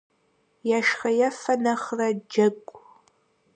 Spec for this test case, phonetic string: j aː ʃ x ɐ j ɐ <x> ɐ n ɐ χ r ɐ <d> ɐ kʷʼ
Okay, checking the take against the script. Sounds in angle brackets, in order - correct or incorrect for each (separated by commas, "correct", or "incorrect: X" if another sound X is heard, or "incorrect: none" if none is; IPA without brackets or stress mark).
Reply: incorrect: f, incorrect: d͡ʒ